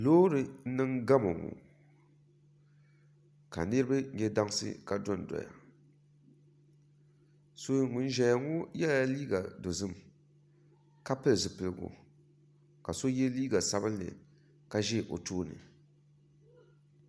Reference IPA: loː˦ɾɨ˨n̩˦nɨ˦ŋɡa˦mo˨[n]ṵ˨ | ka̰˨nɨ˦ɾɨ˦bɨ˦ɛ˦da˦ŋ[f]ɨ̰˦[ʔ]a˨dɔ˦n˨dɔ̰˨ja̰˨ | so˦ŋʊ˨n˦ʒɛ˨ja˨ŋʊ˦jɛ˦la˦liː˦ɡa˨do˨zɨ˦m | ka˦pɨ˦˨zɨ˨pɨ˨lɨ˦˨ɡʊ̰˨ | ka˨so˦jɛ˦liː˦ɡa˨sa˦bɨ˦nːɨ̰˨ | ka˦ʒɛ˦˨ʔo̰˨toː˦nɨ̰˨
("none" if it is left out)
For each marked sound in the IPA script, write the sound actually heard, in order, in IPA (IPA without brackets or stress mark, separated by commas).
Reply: ŋ, s, k